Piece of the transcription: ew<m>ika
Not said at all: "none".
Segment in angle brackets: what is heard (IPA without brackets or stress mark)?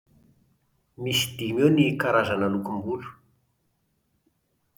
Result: n